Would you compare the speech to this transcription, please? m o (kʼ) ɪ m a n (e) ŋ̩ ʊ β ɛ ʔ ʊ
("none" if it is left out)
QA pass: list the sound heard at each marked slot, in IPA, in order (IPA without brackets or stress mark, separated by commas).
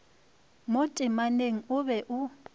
tʼ, e